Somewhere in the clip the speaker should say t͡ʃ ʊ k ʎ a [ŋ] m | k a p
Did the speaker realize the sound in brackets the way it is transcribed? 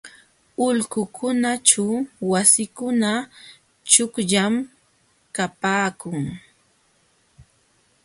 no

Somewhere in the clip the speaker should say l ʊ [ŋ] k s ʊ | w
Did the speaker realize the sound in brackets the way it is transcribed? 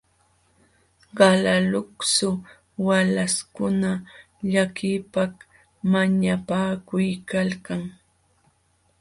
no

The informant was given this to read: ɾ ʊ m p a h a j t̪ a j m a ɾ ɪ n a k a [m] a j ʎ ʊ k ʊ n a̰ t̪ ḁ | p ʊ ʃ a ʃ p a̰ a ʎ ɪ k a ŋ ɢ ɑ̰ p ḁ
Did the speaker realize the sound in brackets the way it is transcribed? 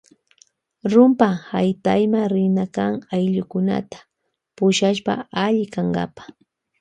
no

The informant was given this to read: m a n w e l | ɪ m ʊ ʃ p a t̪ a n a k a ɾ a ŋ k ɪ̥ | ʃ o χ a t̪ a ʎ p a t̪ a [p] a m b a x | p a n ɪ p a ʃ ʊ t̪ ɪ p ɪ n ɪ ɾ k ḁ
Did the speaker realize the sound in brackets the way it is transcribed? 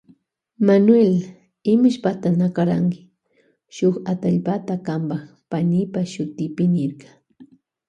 no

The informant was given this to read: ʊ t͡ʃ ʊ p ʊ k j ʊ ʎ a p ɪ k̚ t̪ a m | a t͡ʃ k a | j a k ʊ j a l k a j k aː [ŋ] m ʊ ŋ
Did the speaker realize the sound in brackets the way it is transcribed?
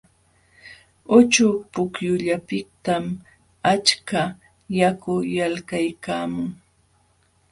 no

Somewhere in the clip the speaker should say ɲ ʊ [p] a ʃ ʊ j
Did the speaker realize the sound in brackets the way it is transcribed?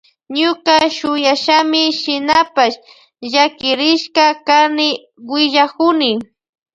no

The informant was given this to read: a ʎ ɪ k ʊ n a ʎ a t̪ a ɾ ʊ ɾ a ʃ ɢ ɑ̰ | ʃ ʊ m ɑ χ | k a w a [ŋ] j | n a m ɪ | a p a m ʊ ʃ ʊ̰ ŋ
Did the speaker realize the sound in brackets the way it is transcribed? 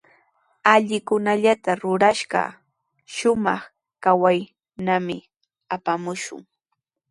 no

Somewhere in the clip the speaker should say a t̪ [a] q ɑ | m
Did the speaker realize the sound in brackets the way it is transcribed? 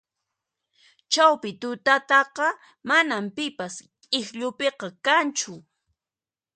no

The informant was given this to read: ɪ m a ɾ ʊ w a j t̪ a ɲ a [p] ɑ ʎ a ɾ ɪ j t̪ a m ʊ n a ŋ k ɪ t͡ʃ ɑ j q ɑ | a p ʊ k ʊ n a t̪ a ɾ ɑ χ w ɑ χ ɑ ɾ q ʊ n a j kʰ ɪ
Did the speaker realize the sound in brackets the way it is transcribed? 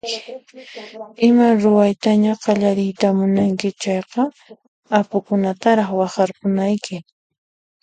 no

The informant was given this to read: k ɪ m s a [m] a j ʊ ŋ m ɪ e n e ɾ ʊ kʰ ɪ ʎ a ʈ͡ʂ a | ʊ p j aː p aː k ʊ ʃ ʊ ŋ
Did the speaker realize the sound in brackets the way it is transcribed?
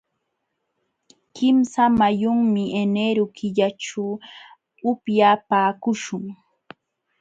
yes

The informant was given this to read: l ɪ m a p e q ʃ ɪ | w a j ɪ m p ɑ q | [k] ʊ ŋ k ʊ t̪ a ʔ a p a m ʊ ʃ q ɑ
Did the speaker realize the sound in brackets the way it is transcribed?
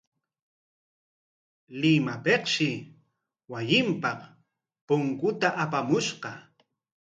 no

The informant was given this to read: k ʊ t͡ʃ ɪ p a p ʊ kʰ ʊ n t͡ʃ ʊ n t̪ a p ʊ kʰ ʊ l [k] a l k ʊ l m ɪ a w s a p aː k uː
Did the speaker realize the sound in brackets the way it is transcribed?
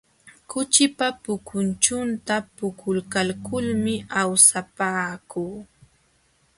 yes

